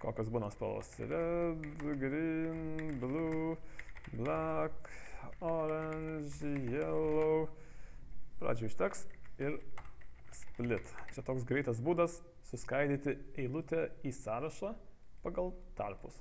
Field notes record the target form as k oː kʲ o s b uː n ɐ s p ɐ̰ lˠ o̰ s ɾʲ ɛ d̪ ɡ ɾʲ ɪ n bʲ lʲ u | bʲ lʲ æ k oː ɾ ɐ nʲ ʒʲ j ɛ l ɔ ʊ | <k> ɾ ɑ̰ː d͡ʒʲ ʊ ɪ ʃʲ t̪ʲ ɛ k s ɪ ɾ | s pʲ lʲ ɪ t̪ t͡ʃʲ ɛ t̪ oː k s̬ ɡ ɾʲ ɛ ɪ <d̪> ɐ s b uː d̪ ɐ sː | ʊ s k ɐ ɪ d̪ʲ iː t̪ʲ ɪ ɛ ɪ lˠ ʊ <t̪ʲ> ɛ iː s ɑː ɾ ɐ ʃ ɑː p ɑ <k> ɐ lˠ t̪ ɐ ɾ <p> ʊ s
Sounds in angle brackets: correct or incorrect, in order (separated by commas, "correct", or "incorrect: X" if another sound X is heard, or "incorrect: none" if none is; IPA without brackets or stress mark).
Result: incorrect: p, incorrect: t̪, correct, incorrect: ɡ, correct